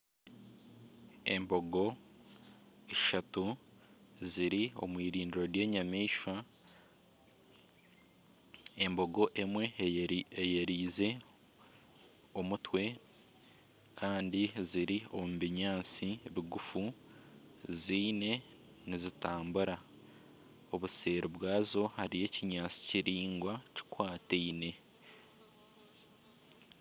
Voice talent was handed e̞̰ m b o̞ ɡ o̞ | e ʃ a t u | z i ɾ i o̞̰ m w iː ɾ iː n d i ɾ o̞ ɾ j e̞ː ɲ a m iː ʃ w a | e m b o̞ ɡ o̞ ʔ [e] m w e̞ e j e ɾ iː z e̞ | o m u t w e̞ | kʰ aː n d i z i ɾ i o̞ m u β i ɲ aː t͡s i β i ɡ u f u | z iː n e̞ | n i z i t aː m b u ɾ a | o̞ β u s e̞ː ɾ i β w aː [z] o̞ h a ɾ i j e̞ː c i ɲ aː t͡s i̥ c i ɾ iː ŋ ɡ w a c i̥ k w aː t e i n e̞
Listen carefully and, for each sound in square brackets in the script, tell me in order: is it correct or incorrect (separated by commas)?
correct, correct